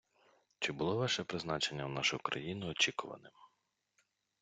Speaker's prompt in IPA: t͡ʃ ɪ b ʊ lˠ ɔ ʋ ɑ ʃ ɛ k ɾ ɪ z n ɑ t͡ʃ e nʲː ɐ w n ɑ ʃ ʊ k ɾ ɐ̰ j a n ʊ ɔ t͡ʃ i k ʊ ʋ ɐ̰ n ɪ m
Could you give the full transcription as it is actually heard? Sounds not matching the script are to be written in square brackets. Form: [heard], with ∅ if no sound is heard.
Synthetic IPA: t͡ʃ ɪ b ʊ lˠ ɔ ʋ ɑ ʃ ɛ [p] ɾ ɪ z n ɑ t͡ʃ e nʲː ɐ w n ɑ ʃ ʊ k ɾ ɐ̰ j [i] n ʊ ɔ t͡ʃ i k ʊ ʋ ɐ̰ n ɪ m